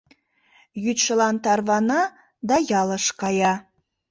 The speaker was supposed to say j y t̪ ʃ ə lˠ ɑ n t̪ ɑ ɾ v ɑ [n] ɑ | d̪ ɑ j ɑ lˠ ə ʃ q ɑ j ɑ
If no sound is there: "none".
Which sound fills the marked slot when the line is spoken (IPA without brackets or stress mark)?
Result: n